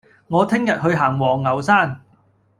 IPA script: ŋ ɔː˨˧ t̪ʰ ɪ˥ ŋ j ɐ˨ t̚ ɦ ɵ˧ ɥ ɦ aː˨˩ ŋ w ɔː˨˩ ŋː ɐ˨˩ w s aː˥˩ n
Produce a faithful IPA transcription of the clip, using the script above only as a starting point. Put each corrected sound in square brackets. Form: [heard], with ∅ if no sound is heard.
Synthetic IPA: ŋ ɔː˨˧ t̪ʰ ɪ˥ ŋ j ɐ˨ t̚ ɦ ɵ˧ ɥ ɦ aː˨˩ ŋ w ɔː˨˩ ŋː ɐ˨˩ w s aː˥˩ n